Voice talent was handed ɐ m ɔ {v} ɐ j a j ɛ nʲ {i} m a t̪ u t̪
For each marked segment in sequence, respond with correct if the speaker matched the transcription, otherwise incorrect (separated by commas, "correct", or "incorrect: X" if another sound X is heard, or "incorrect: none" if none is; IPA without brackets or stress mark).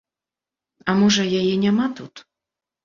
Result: incorrect: ʐ, incorrect: a